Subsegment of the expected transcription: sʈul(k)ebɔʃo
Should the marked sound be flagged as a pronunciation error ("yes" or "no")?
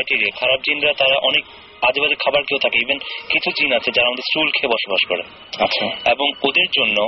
yes